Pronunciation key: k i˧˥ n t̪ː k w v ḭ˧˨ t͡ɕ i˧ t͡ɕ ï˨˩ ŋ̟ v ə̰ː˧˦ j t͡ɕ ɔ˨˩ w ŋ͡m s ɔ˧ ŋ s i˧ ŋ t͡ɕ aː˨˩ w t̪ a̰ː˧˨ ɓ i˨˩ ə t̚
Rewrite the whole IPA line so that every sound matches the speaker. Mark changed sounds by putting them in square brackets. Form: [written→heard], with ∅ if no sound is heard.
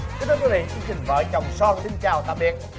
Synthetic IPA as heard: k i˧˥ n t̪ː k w v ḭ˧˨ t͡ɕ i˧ t͡ɕ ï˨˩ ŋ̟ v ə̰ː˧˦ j t͡ɕ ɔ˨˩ w ŋ͡m s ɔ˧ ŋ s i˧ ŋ t͡ɕ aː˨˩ w t̪ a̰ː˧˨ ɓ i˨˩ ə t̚